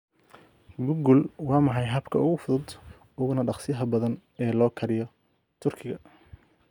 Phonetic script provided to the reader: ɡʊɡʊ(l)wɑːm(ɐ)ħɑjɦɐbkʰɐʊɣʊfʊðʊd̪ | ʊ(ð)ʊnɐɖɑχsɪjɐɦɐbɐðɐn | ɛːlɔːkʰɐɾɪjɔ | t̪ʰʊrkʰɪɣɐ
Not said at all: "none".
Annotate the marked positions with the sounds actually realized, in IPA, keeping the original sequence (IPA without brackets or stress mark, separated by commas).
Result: l, ɑ, ɣ